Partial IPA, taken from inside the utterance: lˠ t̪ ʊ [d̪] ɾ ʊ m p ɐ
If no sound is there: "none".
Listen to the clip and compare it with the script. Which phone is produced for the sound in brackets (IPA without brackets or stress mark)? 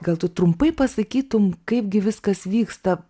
t̪